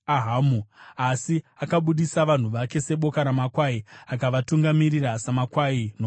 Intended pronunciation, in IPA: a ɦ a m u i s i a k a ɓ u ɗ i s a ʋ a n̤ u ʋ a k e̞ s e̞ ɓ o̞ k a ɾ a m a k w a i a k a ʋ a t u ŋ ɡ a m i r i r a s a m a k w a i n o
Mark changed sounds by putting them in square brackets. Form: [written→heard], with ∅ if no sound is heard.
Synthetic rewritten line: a ɦ a m u [i→a] s i a k a ɓ u ɗ i s a ʋ a n̤ u ʋ a k e̞ s e̞ ɓ o̞ k a ɾ a m a k w a i a k a ʋ a t u ŋ ɡ a m i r i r a s a m a k w a i n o